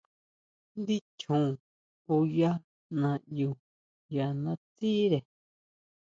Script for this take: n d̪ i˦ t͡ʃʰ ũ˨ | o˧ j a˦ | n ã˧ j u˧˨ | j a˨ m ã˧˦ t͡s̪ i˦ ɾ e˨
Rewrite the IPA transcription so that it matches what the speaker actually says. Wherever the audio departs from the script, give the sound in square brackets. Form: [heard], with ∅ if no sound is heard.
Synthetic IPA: n d̪ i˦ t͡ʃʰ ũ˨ | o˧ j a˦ | n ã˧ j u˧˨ | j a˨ [n] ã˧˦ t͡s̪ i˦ ɾ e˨